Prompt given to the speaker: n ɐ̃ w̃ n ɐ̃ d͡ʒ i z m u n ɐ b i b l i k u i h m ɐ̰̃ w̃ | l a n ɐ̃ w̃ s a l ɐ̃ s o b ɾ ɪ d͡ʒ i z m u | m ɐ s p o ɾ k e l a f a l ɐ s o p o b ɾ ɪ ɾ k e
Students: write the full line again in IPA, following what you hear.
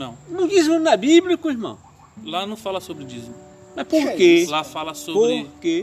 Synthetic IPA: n ɐ̃ w̃ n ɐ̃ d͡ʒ i z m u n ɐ b i b l i k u i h m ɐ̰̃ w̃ | l a n ɐ̃ w̃ f a l ɐ s o b ɾ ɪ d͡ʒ i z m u | m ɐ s p o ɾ k e l a f a l ɐ s o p o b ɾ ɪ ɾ k e